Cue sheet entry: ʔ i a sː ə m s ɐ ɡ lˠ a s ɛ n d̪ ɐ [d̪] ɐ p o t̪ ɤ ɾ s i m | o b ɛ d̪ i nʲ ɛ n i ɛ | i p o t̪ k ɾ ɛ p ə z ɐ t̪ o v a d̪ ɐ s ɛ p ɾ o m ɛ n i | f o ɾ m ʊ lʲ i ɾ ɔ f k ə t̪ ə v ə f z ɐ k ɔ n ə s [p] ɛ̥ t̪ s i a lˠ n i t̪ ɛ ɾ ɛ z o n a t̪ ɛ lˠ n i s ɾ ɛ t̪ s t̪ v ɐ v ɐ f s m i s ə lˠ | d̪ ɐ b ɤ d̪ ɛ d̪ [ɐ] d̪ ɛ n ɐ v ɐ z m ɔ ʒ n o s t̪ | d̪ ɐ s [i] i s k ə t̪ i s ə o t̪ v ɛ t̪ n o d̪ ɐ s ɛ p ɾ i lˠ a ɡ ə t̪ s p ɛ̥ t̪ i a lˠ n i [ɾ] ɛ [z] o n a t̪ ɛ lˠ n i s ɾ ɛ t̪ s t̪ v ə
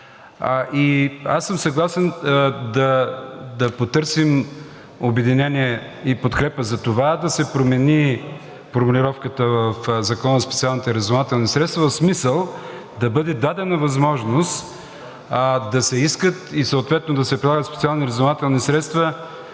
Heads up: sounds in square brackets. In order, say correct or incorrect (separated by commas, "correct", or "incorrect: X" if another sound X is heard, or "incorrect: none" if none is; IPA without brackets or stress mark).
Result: correct, correct, incorrect: a, incorrect: ɛ, correct, correct